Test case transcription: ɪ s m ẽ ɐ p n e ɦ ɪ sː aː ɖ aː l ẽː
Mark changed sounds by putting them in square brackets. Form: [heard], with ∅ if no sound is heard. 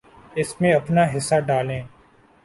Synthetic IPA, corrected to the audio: ɪ s m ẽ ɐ p n [a] ɦ ɪ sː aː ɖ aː l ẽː